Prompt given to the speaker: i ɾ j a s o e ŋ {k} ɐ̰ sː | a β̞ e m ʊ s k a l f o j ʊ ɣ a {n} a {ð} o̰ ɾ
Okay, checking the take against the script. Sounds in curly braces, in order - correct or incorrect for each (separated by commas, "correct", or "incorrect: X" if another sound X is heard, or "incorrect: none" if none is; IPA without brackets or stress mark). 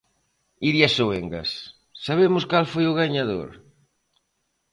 incorrect: ɡ, incorrect: ɲ, correct